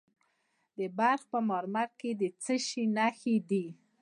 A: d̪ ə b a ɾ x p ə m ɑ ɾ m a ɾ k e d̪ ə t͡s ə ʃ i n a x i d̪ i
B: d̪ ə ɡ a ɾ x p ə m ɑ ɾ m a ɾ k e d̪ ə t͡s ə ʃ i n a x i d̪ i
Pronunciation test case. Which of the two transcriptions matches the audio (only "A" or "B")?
A